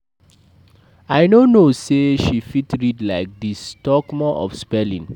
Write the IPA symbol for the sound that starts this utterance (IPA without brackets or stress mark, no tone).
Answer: a